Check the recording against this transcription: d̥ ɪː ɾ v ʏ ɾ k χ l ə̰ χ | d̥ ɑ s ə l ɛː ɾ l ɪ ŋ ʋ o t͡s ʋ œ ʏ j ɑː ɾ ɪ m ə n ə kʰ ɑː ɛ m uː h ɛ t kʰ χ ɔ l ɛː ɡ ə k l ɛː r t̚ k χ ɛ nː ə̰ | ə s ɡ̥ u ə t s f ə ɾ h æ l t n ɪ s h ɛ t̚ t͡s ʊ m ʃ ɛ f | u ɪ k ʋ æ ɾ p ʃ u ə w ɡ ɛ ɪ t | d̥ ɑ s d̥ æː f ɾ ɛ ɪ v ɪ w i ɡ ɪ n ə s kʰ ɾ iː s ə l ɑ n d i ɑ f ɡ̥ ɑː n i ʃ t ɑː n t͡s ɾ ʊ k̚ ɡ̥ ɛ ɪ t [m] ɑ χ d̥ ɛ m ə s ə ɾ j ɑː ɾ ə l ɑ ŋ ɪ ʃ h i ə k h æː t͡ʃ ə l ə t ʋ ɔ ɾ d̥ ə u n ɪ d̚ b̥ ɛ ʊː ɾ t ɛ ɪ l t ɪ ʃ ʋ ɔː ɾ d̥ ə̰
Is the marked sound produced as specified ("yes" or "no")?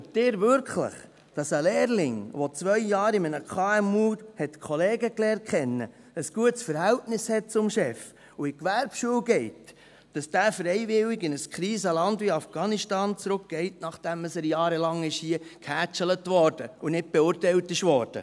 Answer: no